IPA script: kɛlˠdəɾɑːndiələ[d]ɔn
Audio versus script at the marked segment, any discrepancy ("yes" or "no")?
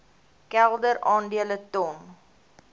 yes